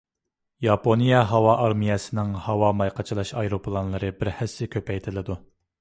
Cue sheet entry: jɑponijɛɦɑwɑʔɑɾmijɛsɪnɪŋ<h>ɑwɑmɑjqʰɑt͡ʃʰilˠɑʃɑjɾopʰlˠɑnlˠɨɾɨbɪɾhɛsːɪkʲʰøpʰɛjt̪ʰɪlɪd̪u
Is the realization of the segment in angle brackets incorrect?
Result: no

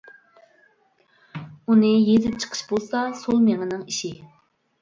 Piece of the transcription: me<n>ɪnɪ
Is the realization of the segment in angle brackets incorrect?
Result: yes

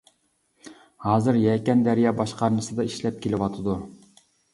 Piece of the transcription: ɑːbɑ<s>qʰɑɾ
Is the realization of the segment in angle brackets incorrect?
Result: yes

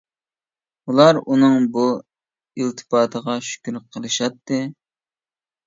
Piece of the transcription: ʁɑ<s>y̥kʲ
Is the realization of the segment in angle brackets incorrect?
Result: yes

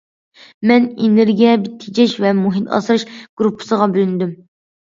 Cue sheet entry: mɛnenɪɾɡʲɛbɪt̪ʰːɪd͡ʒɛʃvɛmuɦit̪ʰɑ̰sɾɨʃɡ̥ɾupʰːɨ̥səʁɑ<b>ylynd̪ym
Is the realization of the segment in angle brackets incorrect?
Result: no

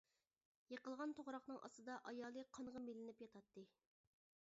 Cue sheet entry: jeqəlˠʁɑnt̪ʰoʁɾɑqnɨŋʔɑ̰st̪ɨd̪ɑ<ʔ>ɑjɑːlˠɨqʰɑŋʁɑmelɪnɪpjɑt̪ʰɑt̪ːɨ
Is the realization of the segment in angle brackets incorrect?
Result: no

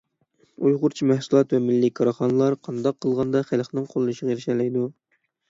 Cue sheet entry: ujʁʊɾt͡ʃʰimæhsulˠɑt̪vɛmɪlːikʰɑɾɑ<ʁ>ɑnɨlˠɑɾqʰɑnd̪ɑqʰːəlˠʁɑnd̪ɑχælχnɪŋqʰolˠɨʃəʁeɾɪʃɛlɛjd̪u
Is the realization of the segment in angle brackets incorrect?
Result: yes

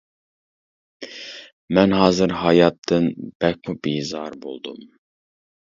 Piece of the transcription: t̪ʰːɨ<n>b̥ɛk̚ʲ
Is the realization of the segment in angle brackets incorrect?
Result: no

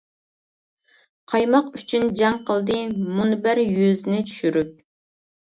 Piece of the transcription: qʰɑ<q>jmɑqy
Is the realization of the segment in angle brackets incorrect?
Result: yes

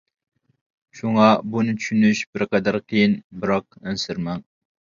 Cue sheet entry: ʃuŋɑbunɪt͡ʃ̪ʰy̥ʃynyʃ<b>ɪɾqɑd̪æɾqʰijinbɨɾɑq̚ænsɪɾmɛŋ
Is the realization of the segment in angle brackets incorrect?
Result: no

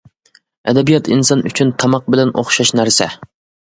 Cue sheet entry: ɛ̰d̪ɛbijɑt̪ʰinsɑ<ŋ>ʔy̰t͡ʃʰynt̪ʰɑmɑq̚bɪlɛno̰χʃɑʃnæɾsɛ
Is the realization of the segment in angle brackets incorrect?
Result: yes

